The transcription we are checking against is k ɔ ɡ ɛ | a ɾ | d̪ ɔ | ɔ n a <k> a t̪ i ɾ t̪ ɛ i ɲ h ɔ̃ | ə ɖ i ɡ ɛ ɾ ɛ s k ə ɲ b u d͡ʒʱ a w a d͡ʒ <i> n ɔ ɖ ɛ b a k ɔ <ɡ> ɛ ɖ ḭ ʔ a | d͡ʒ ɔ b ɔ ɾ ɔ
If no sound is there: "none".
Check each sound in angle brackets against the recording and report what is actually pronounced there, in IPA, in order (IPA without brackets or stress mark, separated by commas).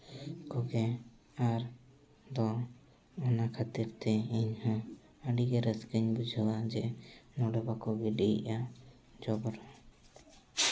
kʰ, ɛ, ɡ